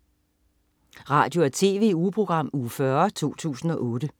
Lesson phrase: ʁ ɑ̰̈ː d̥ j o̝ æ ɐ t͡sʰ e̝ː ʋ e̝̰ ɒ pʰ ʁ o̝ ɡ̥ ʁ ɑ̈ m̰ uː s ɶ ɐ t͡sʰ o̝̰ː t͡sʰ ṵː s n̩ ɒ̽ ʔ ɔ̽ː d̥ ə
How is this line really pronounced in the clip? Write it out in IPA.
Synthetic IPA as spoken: ʁ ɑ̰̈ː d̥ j o̝ æ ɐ t͡sʰ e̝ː ʋ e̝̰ u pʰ ʁ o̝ ɡ̥ ʁ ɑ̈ m̰ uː f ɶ ɐ t͡sʰ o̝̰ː t͡sʰ ṵː s n̩ ɒ̽ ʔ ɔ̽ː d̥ ə